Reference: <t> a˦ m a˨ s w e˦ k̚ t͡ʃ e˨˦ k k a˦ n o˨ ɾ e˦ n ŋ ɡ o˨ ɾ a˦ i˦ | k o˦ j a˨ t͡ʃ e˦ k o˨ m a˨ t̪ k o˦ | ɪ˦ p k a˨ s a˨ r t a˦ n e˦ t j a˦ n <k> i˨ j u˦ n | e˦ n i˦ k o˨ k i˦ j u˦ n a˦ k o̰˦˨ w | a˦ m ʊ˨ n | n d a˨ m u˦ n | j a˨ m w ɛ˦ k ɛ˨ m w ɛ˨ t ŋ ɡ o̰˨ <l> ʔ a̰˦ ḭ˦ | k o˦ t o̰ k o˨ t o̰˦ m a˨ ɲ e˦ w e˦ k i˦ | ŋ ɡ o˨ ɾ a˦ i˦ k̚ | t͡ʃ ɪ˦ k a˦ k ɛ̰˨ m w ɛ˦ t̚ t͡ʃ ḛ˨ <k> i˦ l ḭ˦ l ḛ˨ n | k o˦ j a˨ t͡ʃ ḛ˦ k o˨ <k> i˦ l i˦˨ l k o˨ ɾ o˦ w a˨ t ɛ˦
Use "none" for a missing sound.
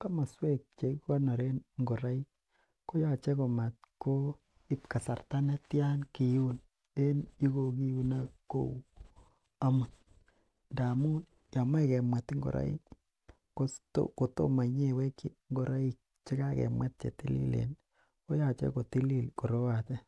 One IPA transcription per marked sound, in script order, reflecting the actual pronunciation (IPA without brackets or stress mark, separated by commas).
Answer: k, k, ɾ, t, t